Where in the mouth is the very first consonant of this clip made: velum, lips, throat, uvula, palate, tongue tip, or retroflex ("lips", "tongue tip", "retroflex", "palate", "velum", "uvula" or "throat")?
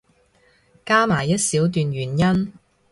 velum